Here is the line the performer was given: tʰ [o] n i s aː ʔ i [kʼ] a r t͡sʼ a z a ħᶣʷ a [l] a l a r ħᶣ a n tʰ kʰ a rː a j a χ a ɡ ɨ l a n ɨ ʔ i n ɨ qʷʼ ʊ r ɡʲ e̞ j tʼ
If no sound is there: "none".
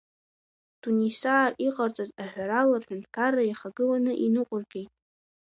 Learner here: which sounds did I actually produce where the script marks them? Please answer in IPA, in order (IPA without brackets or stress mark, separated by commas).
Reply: u, qʼ, ɾ